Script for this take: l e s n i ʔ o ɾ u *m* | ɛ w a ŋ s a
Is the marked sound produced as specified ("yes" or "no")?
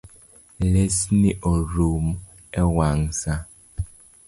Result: yes